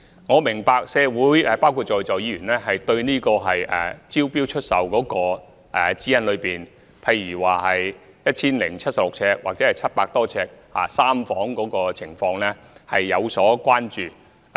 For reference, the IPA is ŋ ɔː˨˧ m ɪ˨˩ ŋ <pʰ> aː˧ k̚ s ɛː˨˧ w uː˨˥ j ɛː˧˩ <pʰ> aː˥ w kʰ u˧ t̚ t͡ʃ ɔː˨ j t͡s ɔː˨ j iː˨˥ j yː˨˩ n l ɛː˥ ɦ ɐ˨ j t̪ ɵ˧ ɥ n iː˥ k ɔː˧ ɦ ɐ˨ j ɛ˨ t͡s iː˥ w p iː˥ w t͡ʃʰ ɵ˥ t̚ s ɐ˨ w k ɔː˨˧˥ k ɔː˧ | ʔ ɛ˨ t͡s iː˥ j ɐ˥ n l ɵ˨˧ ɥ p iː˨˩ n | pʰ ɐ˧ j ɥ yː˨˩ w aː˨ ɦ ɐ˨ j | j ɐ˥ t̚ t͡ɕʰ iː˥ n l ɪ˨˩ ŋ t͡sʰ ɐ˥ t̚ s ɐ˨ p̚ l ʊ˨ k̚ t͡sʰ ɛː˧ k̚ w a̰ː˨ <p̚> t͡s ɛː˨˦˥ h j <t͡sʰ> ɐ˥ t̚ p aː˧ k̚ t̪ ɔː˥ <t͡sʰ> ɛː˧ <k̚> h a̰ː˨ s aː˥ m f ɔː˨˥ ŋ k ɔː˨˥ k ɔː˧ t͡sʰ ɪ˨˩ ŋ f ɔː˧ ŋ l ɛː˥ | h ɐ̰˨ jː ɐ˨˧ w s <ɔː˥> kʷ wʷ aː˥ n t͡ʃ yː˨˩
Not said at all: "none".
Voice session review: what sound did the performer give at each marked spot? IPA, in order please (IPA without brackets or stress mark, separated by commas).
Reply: p, p, k̚, t͡sʰ, t͡sʰ, k̚, ɔː˨˥